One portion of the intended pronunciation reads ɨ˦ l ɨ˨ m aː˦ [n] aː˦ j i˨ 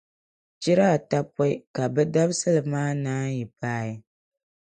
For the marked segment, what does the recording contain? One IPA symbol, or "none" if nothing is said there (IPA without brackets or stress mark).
n